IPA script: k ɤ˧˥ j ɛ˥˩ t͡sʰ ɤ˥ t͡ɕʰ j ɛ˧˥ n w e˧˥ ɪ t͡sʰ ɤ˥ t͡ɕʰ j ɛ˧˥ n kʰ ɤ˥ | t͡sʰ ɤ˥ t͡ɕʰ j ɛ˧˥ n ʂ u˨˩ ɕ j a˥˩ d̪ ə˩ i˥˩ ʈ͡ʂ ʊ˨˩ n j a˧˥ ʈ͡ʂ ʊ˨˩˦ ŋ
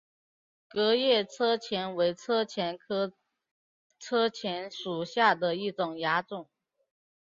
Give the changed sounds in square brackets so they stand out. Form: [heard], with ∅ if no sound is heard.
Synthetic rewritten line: k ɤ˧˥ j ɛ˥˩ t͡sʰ ɤ˥ t͡ɕʰ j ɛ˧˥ n w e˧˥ ɪ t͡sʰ ɤ˥ t͡ɕʰ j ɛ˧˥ n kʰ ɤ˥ | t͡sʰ ɤ˥ t͡ɕʰ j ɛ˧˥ n ʂ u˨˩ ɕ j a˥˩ d̪ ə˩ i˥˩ ʈ͡ʂ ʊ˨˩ [ŋ] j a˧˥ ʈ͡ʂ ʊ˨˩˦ ŋ